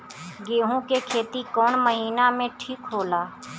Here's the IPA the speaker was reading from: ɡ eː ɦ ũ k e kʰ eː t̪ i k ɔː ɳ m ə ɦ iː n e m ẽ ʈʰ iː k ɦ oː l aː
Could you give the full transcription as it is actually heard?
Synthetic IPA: ɡ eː ɦ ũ k e kʰ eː t̪ i k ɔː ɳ m ə ɦ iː n a m ẽ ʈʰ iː k ɦ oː l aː

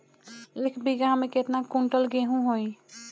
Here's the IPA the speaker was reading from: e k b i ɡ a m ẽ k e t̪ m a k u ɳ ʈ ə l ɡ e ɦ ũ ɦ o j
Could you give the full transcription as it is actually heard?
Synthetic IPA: e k b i ɡ a m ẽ k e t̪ n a k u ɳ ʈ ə l ɡ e ɦ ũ ɦ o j

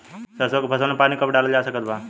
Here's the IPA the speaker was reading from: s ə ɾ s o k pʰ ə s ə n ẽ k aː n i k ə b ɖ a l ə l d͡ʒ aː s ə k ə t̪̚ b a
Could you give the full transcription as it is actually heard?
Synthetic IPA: s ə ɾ s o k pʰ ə s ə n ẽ p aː n i k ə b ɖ a l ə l d͡ʒ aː s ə k ə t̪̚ b a

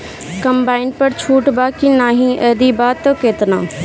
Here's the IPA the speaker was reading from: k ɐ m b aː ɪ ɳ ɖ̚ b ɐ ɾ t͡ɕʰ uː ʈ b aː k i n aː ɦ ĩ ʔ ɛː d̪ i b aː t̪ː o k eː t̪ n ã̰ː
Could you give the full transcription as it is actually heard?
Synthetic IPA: k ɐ m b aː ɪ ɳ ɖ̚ p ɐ ɾ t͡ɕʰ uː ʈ b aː k i n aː ɦ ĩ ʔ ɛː d̪ i b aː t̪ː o k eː t̪ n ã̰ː

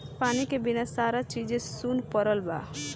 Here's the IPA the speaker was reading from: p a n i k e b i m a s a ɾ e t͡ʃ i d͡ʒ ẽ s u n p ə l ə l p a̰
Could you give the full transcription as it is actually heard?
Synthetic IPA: p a n i k e b i n a s a ɾ a t͡ʃ i d͡ʒ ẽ s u n p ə ɾ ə l b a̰

